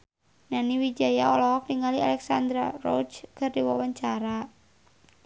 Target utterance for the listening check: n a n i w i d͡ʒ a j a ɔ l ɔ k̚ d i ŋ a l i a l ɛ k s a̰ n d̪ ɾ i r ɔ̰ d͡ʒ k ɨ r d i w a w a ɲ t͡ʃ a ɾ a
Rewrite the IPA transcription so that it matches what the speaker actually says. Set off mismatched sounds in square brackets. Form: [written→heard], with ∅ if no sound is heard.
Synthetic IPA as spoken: n a n i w i d͡ʒ a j a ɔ l ɔ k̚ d i ŋ a l i a l ɛ k s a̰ n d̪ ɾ [i→a] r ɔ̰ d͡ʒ k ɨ r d i w a w a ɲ t͡ʃ a ɾ a